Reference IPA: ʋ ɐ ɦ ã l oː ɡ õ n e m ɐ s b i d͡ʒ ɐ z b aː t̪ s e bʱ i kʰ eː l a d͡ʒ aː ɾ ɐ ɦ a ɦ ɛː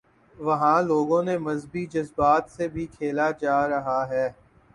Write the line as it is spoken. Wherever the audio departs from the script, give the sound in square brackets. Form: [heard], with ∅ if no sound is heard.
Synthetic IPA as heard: ʋ ɐ ɦ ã l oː ɡ õ n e m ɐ [z] b i d͡ʒ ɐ z b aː t̪ s e bʱ i kʰ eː l a d͡ʒ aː ɾ ɐ ɦ a ɦ ɛː

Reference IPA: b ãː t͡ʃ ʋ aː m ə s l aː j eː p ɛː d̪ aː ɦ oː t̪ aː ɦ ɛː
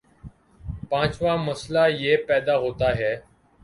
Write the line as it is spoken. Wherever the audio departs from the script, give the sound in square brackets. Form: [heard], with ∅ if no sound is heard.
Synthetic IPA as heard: [p] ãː t͡ʃ ʋ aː m ə s l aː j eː p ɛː d̪ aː ɦ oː t̪ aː ɦ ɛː

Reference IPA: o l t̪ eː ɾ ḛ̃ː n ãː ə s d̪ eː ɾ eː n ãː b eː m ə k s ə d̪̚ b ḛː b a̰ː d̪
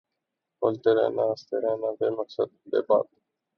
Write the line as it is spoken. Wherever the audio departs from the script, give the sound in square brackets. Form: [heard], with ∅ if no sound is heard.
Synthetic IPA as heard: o l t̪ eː ɾ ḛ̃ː n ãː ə s [t̪] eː ɾ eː n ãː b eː m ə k s ə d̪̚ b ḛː b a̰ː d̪

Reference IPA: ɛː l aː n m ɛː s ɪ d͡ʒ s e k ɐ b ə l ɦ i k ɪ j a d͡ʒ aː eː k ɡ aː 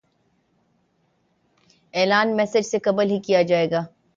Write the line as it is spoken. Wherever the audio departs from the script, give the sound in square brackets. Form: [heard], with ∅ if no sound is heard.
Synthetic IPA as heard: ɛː l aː n m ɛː s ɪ d͡ʒ s e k ɐ b ə l ɦ i k [i] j a d͡ʒ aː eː [∅] ɡ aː

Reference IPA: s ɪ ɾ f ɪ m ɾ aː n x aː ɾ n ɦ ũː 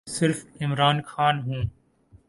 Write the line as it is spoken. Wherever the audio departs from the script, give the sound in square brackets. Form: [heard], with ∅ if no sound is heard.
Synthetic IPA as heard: s ɪ ɾ f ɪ m ɾ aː n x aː [∅] n ɦ ũː

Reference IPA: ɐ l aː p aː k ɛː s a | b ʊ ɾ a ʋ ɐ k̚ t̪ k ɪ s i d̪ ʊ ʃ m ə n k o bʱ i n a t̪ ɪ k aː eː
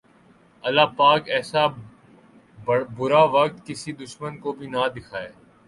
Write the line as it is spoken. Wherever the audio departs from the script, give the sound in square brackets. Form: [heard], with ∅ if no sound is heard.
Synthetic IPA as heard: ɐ l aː p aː k ɛː s a | b ʊ ɾ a ʋ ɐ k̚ t̪ k ɪ s i d̪ ʊ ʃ m ə n k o bʱ i n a [d̪] ɪ [kʰ] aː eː

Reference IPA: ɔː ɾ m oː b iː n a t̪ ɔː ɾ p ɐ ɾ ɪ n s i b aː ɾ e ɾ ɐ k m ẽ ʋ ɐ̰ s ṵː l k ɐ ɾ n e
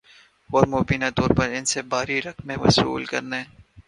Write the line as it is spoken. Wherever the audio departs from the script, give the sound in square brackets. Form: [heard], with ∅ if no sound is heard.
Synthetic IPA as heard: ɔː ɾ m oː b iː n a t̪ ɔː ɾ p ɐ ɾ ɪ n s [e] b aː ɾ [i] ɾ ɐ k m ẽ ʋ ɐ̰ s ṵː l k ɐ ɾ n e

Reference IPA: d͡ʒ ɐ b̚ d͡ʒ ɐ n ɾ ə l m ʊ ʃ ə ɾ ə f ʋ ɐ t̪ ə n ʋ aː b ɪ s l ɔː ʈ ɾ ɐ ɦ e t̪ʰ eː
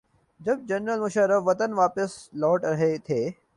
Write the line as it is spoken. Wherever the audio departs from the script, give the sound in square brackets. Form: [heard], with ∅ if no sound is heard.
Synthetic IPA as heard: d͡ʒ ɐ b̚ d͡ʒ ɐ n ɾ ə l m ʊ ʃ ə ɾ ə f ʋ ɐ t̪ ə n ʋ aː [p] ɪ s l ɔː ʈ ɾ ɐ ɦ e t̪ʰ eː

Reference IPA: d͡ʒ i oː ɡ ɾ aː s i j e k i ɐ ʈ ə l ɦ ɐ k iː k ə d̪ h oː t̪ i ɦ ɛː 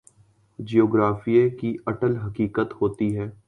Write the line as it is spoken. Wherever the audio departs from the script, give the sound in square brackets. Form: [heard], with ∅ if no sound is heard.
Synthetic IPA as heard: d͡ʒ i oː ɡ ɾ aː [f] i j e k i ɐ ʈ ə l ɦ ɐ k iː k ə [t̪] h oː t̪ i ɦ ɛː

